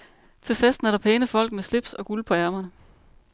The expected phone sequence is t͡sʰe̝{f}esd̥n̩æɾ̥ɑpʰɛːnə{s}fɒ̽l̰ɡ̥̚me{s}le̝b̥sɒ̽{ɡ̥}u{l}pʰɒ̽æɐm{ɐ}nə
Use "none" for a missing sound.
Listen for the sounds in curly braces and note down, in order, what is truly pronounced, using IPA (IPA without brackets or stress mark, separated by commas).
f, none, s, ɡ̥, l, ɐ